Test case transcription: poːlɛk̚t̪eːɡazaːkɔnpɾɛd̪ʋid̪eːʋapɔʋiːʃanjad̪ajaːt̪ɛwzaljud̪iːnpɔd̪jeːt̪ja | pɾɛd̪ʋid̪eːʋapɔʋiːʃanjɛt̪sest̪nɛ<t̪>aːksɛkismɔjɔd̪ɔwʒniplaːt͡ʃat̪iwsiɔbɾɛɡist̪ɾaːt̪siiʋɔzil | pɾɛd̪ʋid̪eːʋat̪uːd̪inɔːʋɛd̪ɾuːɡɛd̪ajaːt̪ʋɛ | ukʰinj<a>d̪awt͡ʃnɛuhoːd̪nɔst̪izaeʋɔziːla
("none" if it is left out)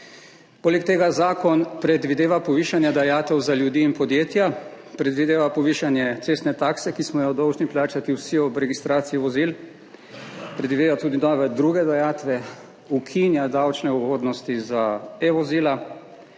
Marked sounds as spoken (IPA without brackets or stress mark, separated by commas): t̪, a